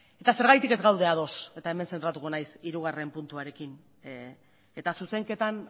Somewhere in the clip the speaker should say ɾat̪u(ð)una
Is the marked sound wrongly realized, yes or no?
yes